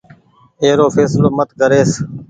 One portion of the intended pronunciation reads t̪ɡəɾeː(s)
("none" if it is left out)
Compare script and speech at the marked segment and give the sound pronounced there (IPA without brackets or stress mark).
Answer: s